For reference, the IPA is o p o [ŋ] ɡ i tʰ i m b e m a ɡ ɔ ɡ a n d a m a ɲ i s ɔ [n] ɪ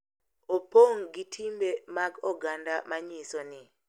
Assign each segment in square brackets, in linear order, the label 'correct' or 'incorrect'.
correct, correct

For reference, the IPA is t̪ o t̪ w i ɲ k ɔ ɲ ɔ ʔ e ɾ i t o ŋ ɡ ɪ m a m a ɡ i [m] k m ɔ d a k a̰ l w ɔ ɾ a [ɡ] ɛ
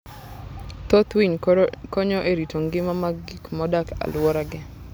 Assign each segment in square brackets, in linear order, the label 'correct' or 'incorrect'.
incorrect, correct

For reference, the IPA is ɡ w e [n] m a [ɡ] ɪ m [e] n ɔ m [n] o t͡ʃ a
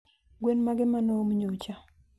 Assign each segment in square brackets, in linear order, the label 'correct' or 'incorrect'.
correct, correct, incorrect, incorrect

